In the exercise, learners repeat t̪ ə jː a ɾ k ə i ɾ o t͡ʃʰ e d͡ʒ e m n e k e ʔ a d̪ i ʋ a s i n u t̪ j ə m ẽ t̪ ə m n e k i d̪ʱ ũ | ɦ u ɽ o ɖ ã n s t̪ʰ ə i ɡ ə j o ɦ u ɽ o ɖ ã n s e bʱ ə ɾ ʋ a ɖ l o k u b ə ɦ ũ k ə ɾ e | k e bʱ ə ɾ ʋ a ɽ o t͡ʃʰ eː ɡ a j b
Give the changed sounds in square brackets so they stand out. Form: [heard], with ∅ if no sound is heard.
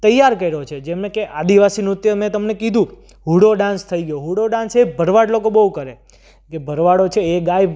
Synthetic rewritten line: t̪ ə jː a ɾ k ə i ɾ o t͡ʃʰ e d͡ʒ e m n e k e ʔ a d̪ i ʋ a s i n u t̪ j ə m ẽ t̪ ə m n e k i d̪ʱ ũ | ɦ u ɽ o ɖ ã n s t̪ʰ ə i ɡ ə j o ɦ u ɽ o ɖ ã n s e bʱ ə ɾ ʋ a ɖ l o k [o] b ə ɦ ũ k ə ɾ e | k e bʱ ə ɾ ʋ a ɽ o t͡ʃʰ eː ɡ a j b